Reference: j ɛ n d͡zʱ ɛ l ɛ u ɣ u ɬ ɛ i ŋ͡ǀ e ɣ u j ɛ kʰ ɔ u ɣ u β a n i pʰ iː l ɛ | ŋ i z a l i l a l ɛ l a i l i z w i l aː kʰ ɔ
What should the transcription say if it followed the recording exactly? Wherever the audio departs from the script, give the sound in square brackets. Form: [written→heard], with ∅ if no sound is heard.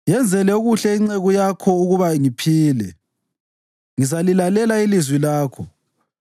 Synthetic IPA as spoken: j ɛ n d͡zʱ ɛ l ɛ u ɣ u ɬ ɛ i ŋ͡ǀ e ɣ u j [ɛ→a] kʰ ɔ u ɣ u β a [n→ŋ] i pʰ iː l ɛ | ŋ i z a l i l a l ɛ l a i l i z w i l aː kʰ ɔ